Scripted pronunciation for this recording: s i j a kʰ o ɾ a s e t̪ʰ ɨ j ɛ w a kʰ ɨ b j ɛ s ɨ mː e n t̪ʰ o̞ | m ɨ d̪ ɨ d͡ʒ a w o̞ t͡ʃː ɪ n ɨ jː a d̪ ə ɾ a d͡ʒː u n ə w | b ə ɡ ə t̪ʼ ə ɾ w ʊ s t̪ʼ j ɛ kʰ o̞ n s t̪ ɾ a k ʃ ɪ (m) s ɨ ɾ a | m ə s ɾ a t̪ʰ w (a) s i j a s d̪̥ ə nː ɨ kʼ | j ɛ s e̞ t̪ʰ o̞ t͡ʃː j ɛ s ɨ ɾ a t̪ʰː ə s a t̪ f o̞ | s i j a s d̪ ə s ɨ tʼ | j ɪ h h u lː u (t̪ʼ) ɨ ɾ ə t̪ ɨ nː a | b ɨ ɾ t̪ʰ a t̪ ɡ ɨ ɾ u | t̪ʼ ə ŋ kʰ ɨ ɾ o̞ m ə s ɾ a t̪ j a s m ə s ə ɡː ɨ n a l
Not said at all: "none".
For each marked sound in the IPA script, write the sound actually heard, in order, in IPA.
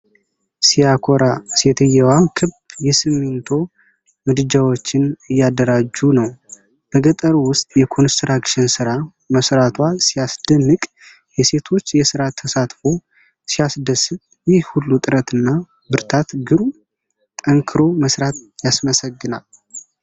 n, a, t̪ʼ

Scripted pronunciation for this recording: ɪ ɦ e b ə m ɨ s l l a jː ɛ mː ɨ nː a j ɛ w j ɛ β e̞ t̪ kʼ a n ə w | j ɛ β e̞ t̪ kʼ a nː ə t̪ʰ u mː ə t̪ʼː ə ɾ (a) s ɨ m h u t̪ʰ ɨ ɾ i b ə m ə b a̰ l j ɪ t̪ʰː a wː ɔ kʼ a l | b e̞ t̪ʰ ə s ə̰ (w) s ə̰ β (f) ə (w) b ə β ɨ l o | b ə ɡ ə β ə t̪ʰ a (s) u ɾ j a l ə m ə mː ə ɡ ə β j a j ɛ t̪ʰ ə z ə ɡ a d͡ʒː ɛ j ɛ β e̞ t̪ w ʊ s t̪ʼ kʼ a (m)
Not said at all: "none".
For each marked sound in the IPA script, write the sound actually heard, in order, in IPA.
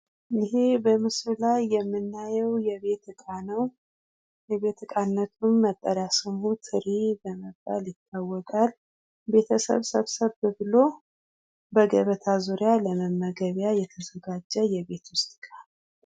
a, β, s, β, z, n

